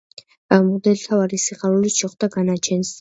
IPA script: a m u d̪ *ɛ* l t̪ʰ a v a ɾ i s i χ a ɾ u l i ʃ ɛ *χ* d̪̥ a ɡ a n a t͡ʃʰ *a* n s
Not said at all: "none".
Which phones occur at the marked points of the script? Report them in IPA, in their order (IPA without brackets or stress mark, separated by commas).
ɛ, χ, ɛ